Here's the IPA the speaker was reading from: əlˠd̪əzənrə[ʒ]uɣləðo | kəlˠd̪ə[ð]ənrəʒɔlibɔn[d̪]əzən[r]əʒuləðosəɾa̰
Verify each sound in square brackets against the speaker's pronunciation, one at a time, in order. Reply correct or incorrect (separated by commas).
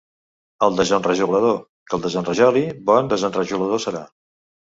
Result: correct, incorrect, correct, correct